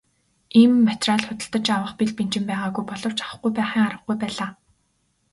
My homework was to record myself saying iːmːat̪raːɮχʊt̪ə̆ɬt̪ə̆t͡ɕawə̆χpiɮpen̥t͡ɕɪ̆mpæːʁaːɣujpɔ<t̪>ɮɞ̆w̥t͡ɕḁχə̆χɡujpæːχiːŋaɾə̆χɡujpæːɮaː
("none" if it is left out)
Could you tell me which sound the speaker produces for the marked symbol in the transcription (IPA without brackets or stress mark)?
none